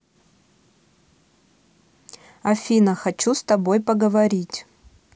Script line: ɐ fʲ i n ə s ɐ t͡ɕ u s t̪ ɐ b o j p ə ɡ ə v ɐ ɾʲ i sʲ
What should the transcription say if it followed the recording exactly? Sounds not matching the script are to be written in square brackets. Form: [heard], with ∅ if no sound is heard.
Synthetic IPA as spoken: ɐ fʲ i n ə [x] ɐ t͡ɕ u s t̪ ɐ b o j p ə ɡ ə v ɐ ɾʲ i [tʲ]

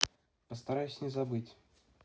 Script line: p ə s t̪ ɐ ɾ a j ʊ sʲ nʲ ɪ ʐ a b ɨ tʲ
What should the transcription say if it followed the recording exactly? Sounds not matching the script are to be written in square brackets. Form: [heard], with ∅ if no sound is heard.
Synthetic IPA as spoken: p ə s t̪ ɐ ɾ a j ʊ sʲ nʲ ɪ [z] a b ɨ tʲ

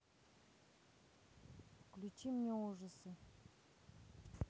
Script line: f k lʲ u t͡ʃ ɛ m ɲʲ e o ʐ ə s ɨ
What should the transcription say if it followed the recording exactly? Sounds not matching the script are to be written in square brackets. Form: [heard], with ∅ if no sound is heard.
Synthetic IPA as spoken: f k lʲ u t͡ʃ [i] m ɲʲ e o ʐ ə s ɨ

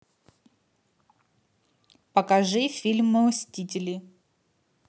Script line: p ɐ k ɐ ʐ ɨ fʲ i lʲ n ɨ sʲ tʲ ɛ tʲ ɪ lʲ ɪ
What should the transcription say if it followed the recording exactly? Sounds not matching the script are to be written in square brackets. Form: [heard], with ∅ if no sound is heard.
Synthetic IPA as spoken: p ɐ k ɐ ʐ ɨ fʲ i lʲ [m] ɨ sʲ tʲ [i] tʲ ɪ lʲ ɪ

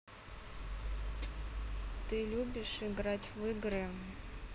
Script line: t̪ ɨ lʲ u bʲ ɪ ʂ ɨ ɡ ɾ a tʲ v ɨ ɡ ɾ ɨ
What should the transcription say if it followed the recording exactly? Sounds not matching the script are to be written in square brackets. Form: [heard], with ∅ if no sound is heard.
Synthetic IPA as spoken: t̪ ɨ lʲ u bʲ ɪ ʂ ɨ ɡ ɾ a tʲ v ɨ ɡ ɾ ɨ

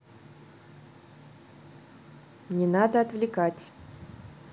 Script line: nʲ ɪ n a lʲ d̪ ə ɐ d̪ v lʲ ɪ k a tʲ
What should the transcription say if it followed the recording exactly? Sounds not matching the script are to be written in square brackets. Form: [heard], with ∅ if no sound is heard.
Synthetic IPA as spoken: nʲ ɪ n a [∅] d̪ ə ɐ [t̪] v lʲ ɪ k a tʲ

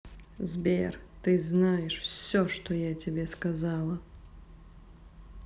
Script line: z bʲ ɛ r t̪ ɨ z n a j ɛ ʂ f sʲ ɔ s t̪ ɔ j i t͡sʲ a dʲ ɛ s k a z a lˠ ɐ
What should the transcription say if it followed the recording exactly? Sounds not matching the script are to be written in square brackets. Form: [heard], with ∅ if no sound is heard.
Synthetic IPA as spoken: z bʲ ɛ r t̪ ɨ z n a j ɛ ʂ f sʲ ɔ [ʂ] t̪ ɔ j [a] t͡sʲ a [bʲ] ɛ s k a z a lˠ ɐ

